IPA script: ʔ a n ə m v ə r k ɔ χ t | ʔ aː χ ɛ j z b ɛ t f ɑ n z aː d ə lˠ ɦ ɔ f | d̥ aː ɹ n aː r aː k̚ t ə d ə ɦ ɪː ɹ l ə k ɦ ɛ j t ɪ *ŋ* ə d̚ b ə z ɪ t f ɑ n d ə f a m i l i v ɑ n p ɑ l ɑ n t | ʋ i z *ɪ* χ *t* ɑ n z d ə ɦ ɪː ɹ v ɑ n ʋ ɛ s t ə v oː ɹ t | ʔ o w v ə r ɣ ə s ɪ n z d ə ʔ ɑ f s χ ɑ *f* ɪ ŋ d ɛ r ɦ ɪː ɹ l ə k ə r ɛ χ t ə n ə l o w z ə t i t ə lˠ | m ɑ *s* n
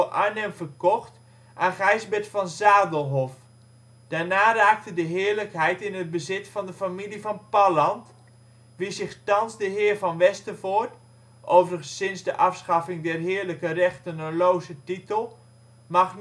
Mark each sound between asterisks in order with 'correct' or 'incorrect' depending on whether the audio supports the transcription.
incorrect: n, correct, correct, correct, incorrect: χ

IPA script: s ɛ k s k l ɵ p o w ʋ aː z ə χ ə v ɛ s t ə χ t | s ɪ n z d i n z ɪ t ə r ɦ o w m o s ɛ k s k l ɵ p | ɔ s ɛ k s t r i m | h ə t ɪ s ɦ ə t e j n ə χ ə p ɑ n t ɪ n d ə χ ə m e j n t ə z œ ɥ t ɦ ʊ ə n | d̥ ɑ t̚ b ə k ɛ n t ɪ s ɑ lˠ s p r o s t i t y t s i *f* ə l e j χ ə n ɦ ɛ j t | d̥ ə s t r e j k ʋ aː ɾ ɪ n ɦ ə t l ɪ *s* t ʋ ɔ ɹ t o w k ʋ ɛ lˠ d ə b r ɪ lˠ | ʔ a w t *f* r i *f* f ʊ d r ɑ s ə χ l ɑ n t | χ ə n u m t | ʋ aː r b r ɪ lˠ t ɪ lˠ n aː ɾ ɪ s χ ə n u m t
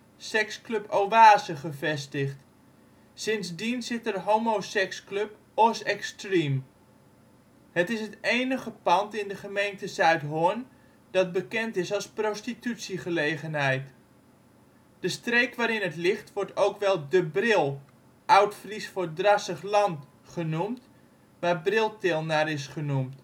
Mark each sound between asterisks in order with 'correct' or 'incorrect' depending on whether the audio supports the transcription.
incorrect: χ, incorrect: χ, correct, incorrect: s

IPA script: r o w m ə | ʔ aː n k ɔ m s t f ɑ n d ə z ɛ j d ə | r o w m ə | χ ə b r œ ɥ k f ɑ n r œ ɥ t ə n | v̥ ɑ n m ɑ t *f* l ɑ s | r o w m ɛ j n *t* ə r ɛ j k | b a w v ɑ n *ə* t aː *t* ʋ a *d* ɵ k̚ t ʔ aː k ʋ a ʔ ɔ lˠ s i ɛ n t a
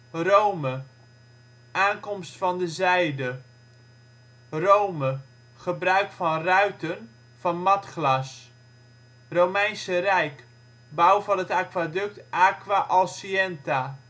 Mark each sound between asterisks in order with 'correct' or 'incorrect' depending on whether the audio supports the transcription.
incorrect: χ, incorrect: s, correct, incorrect: k, correct

